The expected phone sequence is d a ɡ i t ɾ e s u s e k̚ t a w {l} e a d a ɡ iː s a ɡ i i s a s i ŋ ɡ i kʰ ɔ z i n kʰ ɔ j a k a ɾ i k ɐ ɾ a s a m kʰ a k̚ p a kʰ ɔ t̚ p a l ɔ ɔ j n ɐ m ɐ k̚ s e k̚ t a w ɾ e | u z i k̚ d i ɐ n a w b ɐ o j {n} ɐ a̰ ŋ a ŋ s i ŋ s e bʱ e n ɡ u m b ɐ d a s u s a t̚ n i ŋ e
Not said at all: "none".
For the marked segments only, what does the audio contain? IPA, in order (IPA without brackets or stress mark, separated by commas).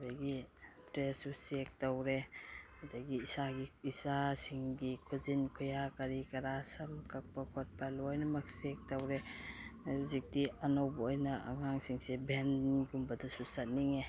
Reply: ɾ, n